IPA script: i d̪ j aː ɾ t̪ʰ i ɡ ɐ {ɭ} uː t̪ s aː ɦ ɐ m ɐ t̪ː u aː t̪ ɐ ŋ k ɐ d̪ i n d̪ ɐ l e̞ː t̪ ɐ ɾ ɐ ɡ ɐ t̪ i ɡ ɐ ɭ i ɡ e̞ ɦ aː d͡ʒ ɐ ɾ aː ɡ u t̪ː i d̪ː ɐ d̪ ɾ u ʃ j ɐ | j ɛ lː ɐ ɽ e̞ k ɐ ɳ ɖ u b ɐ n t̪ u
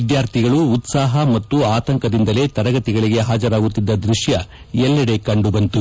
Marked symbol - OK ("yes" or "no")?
yes